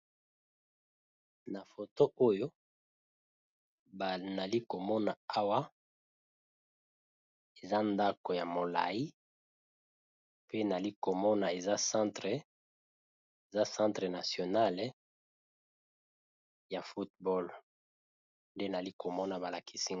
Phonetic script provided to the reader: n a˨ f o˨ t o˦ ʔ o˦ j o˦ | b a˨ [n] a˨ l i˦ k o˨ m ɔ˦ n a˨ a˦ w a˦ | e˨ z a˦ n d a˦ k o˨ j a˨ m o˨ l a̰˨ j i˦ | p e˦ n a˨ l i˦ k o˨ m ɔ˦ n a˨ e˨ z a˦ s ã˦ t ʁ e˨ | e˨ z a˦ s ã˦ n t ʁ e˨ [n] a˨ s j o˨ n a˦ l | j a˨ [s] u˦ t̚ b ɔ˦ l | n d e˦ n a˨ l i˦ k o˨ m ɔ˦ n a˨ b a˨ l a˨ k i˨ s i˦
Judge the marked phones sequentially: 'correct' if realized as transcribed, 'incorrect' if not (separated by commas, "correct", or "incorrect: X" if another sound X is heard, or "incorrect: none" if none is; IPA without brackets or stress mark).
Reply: correct, correct, incorrect: f